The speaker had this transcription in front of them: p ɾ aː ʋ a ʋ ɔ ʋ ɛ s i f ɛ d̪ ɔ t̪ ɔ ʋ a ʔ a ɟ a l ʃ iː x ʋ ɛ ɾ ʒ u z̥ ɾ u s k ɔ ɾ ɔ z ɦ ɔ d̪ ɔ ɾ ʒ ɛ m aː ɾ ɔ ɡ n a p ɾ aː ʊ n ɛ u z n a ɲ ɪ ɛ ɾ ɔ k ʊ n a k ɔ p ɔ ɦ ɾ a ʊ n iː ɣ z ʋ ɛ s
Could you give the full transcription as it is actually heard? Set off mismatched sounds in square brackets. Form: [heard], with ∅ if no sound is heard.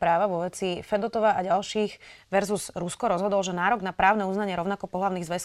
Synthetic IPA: p ɾ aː ʋ a ʋ ɔ ʋ ɛ [t͡s] i f ɛ d̪ ɔ t̪ ɔ ʋ a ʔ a ɟ a l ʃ iː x ʋ ɛ ɾ [z] u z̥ ɾ u s k ɔ ɾ ɔ z ɦ ɔ d̪ ɔ [l] ʒ ɛ [n] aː ɾ ɔ ɡ n a p ɾ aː ʊ n ɛ u z n a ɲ ɪ ɛ ɾ ɔ [∅] ʊ n a k ɔ p ɔ ɦ [l] a ʊ n iː ɣ z ʋ ɛ s